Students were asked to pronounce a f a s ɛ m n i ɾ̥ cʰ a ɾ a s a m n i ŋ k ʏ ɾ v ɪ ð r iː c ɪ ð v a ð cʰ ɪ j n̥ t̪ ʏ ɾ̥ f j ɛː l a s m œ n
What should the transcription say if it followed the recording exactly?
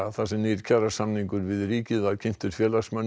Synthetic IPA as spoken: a θ a s ɛ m n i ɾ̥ cʰ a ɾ a s a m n i ŋ k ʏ ɾ v ɪ ð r iː c ɪ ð v a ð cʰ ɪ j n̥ t̪ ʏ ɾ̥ f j ɛː l a s m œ n